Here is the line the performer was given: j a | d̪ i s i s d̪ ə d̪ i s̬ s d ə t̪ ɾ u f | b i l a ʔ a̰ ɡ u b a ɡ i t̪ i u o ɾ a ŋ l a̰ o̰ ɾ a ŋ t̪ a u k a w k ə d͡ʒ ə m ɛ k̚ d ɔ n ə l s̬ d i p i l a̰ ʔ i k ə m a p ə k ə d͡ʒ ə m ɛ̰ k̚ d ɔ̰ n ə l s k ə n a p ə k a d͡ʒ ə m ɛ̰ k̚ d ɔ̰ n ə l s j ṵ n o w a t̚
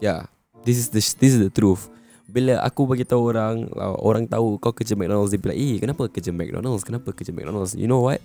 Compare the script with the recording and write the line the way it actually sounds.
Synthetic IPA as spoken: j a | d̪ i s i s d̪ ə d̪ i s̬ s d ə t̪ ɾ u f | b i l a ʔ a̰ k u b a ɡ i t̪ a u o ɾ a ŋ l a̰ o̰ ɾ a ŋ t̪ a u k a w k ə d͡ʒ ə m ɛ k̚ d ɔ n ə l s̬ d i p i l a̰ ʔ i k ə n a p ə k ə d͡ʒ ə m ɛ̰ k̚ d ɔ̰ n ə l s k ə n a p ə k ə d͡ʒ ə m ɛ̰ k̚ d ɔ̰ n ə l s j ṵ n o w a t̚